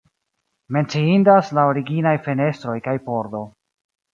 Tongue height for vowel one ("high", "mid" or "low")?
mid